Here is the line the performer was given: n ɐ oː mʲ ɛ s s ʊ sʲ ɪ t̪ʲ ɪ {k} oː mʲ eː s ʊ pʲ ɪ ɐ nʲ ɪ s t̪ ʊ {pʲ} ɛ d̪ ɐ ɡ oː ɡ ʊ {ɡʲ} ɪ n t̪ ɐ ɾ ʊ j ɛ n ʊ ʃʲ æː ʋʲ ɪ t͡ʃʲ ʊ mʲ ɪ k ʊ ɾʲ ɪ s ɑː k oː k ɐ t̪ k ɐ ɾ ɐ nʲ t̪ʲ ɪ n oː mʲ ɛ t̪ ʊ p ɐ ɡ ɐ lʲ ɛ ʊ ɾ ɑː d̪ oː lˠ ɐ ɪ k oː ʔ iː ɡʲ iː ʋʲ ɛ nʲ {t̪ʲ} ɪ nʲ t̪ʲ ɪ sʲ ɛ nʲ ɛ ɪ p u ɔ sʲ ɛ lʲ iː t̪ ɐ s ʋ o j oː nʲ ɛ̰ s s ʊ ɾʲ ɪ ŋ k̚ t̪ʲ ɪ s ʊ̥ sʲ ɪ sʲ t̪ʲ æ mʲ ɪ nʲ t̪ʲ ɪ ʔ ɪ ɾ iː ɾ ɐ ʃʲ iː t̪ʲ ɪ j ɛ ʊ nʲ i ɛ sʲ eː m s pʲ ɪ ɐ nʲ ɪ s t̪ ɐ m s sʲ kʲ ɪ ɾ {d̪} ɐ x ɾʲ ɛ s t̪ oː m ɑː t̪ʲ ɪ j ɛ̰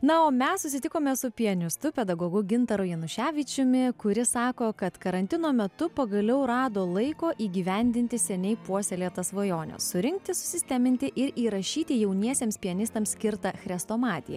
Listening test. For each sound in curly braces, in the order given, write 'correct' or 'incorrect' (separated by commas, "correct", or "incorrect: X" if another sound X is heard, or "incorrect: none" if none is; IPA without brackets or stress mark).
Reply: correct, correct, correct, incorrect: d̪ʲ, incorrect: t̪